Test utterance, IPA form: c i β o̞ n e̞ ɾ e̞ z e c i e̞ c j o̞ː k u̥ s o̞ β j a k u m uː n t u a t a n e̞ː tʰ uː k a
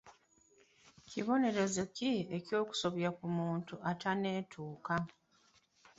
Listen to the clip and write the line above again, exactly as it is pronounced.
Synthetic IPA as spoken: c i β o̞ n e̞ ɾ e̞ z e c i e̞ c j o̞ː k u̥ s o̞ β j a k u m uː n t u a t a n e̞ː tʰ uː k a